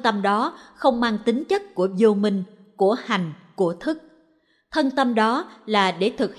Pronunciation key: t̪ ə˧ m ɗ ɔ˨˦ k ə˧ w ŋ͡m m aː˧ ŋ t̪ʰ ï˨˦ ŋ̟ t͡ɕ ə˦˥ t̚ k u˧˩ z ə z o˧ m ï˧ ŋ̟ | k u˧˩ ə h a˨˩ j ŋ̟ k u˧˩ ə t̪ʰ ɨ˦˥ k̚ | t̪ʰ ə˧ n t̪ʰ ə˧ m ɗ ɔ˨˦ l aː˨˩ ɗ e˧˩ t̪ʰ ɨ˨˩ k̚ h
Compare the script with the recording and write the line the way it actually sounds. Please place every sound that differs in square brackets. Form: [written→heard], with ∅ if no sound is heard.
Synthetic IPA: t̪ ə˧ m ɗ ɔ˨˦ [k→x] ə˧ w ŋ͡m m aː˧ ŋ [t̪ʰ→t̪] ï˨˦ ŋ̟ t͡ɕ ə˦˥ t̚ k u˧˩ [z→∅] ə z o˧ m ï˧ ŋ̟ | k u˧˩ ə h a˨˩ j ŋ̟ k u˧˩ ə t̪ʰ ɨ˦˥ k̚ | t̪ʰ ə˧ n [t̪ʰ→t̪] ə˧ m ɗ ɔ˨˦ l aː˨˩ ɗ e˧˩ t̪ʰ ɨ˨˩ k̚ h